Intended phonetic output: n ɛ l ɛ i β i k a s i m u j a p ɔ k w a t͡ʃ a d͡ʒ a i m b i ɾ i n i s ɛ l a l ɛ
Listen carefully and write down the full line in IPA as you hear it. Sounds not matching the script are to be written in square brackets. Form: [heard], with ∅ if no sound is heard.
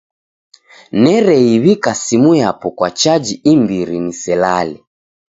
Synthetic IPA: n ɛ [ɾ] ɛ i β i k a s i m u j a p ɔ k w a t͡ʃ a d͡ʒ [i] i m b i ɾ i n i s ɛ l a l ɛ